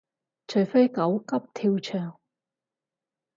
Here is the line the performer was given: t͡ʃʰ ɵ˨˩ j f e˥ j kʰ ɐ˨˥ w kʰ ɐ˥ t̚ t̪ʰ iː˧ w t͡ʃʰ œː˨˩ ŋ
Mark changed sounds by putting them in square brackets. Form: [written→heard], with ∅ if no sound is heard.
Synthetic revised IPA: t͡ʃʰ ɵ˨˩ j f e˥ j [kʰ→k] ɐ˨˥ w [kʰ→k] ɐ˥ [t̚→p̚] t̪ʰ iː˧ w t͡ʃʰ œː˨˩ ŋ